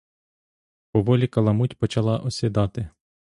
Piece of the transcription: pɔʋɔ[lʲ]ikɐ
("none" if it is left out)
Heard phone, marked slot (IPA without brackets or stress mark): lʲ